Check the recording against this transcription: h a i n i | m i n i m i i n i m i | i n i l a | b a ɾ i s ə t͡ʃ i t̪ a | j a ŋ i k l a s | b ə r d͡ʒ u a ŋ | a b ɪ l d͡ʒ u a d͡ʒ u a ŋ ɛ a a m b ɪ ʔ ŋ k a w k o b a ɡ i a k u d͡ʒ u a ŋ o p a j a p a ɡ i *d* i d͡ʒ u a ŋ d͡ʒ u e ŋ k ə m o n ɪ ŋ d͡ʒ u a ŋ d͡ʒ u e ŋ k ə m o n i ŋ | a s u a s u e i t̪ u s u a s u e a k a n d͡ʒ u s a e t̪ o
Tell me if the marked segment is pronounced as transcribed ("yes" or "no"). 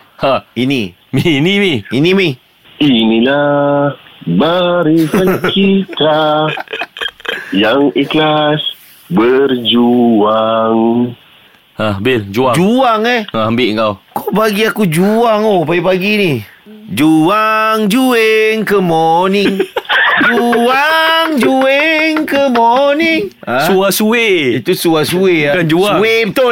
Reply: no